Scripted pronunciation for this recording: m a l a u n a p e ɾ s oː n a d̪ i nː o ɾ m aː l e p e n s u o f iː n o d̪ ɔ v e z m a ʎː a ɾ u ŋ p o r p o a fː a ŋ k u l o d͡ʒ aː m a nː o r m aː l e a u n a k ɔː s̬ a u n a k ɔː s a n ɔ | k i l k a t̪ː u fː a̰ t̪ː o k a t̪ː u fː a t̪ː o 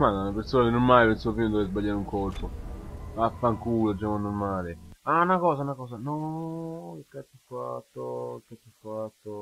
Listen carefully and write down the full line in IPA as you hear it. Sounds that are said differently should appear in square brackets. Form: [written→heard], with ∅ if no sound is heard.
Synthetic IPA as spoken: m a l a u n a p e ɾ s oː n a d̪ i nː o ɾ m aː l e p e n s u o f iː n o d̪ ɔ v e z [m→b] a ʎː a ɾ u ŋ [p→k] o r p o a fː a ŋ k u l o d͡ʒ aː m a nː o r m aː l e a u n a k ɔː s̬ a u n a k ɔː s a n ɔ | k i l k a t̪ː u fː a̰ t̪ː o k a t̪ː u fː a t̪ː o